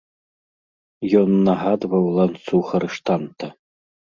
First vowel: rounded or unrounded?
rounded